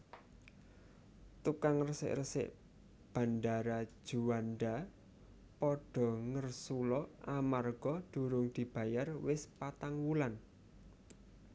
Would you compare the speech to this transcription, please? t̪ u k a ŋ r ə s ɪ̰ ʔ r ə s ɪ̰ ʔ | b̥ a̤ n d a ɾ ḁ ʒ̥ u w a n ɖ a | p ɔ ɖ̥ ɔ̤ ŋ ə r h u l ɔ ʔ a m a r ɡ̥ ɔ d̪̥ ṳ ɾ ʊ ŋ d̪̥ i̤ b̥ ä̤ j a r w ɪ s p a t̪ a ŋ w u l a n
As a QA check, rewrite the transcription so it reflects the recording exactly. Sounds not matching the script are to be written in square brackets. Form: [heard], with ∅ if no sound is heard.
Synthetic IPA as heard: t̪ u k a ŋ r ə s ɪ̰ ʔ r ə s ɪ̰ ʔ | b̥ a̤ n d a ɾ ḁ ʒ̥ u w a n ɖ a | p ɔ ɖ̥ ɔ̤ ŋ ə r [s] u l ɔ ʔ a m a r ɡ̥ ɔ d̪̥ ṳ ɾ ʊ ŋ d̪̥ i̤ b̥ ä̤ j a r w ɪ s p a t̪ a ŋ w u l a n